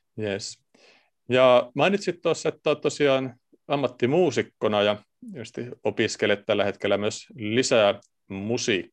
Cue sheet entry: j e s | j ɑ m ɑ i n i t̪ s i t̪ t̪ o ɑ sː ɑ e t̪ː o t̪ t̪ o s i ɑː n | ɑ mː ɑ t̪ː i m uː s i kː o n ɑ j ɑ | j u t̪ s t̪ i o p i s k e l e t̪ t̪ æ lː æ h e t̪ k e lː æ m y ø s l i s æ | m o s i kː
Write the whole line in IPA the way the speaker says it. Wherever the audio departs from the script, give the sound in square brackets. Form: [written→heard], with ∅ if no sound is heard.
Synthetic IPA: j e s | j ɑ m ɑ i n i t̪ s i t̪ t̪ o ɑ sː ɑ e t̪ː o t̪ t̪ o s i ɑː n | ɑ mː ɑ t̪ː i m uː s i kː o n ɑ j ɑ | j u [t̪→∅] s t̪ i o p i s k e l e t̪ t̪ æ lː æ h e t̪ k e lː æ m y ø s l i s æ | m [o→u] s i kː